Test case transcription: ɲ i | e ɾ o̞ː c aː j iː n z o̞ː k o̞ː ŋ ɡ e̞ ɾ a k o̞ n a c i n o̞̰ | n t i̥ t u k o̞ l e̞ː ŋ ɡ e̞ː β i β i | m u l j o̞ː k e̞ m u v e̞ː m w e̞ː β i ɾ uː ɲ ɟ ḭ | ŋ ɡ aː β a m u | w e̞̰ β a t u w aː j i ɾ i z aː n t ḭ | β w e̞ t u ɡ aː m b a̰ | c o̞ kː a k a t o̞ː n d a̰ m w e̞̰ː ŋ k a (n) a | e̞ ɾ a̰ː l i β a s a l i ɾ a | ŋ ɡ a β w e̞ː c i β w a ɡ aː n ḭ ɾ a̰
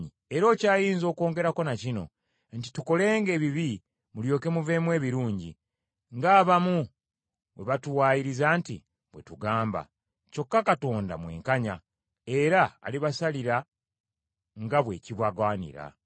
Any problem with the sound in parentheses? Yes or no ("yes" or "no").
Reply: yes